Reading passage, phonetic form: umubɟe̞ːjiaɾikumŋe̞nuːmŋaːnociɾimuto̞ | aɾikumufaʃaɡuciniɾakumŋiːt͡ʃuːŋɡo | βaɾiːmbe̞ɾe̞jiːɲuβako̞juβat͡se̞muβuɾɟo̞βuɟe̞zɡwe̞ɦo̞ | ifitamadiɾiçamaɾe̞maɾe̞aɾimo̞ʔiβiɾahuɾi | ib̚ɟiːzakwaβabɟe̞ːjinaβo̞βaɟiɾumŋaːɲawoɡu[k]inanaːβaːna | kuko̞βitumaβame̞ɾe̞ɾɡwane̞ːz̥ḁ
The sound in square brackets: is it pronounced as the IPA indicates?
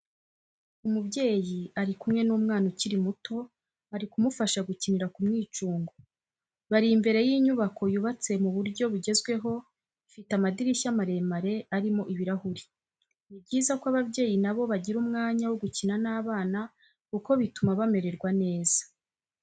no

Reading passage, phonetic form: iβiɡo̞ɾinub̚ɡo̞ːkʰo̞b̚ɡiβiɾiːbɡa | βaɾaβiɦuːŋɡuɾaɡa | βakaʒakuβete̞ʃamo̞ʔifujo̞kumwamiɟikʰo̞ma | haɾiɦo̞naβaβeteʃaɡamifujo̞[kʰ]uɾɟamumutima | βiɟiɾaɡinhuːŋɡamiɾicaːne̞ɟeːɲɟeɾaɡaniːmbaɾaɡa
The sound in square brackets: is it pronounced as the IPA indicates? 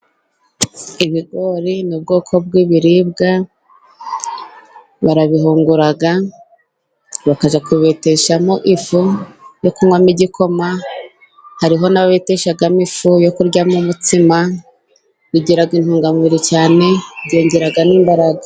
no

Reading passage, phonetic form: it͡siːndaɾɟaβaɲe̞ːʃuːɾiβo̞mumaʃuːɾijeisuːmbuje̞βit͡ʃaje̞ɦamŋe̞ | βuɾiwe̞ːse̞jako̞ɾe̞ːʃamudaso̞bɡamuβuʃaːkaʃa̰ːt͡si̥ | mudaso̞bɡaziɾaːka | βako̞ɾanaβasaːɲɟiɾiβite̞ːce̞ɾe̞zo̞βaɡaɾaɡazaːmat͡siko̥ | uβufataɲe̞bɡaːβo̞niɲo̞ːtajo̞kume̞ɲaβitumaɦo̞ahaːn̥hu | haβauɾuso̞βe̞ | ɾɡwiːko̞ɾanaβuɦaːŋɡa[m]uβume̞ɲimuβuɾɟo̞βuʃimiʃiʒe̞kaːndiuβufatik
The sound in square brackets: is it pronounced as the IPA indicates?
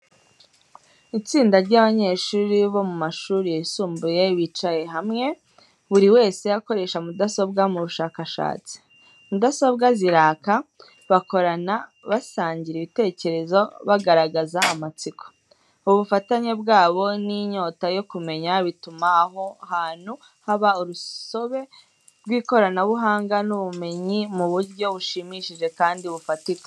no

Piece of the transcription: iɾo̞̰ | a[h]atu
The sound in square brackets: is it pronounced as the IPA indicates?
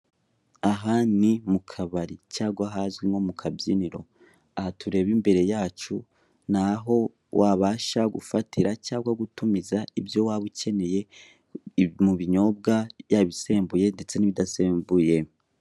yes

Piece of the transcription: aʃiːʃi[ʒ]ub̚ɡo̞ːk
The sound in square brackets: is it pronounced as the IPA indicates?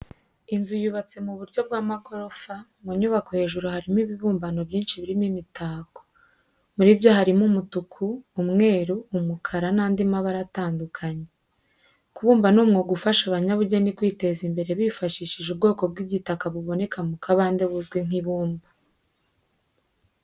yes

